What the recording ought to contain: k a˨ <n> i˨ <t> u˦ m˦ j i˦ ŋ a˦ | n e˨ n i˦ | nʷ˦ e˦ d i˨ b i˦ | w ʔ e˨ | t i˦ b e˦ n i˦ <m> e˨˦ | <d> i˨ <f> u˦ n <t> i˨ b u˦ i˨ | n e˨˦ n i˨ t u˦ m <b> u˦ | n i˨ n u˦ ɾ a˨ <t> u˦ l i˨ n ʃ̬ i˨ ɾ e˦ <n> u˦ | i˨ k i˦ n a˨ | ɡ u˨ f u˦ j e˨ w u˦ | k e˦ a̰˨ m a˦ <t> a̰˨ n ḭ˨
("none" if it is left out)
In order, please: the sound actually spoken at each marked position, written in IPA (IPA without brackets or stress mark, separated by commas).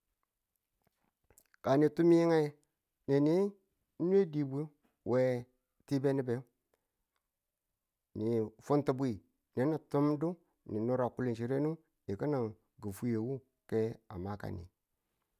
n, t, b, n, f, t, d, k, n, k